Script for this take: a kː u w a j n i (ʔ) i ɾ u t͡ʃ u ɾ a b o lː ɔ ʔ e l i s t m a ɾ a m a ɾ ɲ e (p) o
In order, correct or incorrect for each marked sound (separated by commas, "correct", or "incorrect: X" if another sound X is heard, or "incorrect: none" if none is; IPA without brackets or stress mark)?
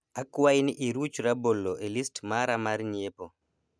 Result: correct, correct